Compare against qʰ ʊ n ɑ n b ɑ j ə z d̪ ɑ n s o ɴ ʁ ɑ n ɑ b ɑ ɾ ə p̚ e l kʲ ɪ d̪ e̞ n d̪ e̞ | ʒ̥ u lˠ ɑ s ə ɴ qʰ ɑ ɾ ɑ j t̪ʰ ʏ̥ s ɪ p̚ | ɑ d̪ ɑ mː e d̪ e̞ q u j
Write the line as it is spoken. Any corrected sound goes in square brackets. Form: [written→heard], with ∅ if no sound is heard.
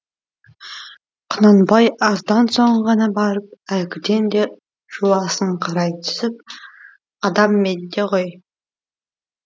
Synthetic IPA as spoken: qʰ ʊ n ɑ n b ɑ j [ə→ɑ] z d̪ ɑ n s o ɴ ʁ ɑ n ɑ b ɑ ɾ ə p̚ [e→æ] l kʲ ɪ d̪ e̞ n d̪ e̞ | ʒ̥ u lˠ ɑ s ə ɴ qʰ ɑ ɾ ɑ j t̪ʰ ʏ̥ s ɪ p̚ | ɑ d̪ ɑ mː e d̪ e̞ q [u→o] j